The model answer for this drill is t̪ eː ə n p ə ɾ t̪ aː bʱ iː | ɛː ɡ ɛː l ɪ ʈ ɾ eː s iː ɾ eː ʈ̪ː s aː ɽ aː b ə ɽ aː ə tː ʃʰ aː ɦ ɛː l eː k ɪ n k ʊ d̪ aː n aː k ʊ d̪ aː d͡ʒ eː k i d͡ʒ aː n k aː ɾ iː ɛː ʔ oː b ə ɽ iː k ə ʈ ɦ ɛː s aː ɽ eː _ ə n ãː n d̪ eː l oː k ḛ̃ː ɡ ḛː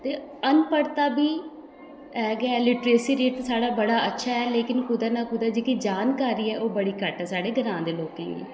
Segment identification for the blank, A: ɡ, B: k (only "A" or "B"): A